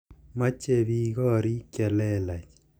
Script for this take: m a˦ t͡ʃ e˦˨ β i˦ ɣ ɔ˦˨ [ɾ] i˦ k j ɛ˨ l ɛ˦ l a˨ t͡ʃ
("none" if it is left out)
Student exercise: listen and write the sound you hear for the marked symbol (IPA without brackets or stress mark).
ɾ